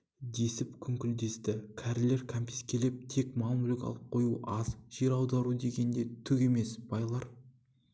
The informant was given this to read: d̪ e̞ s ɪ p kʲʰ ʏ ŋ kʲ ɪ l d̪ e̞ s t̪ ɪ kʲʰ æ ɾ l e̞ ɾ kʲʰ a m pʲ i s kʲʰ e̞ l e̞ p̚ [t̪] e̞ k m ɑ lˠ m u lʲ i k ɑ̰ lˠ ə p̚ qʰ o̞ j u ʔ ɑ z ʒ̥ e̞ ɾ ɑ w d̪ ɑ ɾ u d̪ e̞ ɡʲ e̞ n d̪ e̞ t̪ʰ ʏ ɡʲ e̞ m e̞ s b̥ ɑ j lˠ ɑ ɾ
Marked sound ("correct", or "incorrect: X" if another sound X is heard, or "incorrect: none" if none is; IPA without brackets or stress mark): incorrect: t̪ʰ